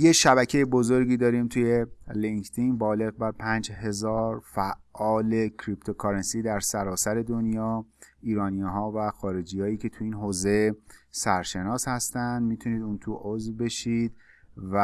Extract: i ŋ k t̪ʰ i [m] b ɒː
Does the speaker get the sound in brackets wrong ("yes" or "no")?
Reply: yes